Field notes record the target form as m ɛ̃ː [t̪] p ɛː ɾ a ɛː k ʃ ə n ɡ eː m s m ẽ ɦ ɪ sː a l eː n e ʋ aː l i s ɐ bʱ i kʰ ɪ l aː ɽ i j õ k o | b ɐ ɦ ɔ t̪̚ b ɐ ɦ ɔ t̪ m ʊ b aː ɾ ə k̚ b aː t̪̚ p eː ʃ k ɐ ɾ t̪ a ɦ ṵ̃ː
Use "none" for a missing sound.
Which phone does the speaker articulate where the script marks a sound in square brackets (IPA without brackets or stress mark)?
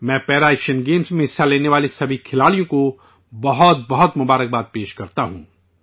none